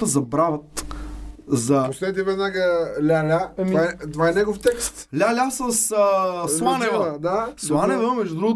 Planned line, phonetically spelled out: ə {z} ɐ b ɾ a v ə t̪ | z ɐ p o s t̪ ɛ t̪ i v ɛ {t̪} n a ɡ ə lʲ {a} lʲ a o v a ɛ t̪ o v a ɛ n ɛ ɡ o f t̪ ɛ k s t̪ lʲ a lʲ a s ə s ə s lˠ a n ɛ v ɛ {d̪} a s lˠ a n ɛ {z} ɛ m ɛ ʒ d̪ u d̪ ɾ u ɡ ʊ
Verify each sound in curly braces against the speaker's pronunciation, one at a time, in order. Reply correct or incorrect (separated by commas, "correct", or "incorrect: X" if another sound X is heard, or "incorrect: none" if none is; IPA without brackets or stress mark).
correct, incorrect: d̪, correct, correct, incorrect: v